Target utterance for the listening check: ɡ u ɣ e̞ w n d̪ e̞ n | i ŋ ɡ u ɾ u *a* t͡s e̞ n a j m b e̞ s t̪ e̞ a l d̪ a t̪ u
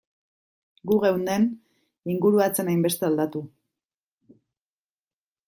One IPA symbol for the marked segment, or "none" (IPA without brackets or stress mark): a